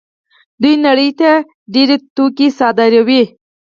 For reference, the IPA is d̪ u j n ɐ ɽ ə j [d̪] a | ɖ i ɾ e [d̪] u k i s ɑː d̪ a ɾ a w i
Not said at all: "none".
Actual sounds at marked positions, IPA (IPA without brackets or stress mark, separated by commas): t̪, t̪